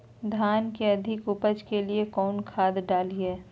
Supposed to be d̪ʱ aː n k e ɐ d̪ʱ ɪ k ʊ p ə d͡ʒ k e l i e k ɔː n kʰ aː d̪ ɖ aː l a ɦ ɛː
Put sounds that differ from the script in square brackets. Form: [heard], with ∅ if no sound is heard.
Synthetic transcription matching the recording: d̪ʱ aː n k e ɐ d̪ʱ ɪ k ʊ p ə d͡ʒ k e l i e k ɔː n kʰ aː d̪ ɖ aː l [i] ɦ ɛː